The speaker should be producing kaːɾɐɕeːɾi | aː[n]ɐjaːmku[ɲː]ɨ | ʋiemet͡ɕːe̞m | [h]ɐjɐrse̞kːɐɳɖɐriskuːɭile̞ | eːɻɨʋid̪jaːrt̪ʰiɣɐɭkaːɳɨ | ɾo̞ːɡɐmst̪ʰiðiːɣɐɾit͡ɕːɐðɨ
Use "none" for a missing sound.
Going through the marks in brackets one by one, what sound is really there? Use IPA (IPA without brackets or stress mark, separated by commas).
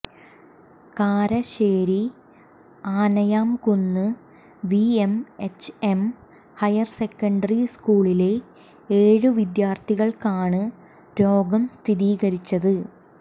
n, nː, h